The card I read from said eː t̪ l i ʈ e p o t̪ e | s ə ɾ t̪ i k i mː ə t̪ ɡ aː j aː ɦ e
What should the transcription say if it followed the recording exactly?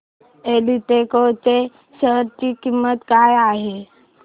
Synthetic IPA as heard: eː l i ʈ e k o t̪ e | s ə ɾ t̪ i k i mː ə t̪ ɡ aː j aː ɦ e

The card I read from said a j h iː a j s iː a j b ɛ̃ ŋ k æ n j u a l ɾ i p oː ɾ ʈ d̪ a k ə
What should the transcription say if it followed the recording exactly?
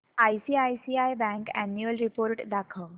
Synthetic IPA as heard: a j s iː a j s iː a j b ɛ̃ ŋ k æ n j u ə l ɾ i p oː ɾ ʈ d̪ a kʰ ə

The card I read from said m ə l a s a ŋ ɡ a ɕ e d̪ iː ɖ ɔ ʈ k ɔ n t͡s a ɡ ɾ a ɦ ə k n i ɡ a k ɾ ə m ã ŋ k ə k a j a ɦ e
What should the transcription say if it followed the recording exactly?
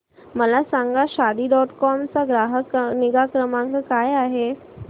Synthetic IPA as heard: m ə l a s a ŋ ɡ a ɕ a d̪ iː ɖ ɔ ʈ k ɔ m t͡s a ɡ ɾ a ɦ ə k n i ɡ a k ɾ ə m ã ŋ k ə k a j a ɦ e

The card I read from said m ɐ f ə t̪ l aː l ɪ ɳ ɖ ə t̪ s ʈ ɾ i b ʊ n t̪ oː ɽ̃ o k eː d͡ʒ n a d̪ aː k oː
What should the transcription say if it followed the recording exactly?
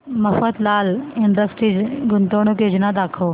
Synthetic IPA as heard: m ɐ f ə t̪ l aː l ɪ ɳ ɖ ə s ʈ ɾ i ɡ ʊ n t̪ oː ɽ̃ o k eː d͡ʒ n a d̪ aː kʰ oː

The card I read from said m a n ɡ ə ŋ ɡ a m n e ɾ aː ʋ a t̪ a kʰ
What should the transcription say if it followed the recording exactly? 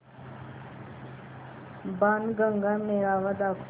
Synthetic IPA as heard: b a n ɡ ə ŋ ɡ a m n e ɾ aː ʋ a d̪ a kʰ

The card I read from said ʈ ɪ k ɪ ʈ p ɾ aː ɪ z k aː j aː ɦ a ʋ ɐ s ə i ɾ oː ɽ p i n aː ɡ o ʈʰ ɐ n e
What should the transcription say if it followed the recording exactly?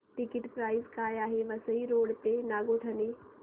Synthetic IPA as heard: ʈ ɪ k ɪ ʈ p ɾ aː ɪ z k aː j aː ɦ e ʋ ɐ s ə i ɾ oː ɽ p e n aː ɡ o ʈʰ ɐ n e

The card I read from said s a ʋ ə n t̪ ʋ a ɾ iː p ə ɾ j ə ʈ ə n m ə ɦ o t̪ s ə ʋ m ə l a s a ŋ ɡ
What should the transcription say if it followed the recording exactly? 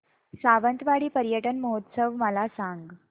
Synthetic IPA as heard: s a ʋ ə n t̪ ʋ a ɽ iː p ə ɾ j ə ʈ ə n m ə ɦ o t̪ s ə ʋ m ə l a s a ŋ ɡ

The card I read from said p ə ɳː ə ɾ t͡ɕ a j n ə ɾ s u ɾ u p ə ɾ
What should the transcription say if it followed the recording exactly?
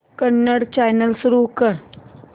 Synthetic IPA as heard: k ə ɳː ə ɽ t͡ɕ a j n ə l s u ɾ u k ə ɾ

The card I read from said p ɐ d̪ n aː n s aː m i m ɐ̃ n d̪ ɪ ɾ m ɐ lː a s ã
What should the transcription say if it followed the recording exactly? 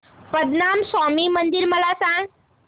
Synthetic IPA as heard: p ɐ d̪ n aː m s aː m i m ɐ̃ n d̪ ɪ ɾ m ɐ l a s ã

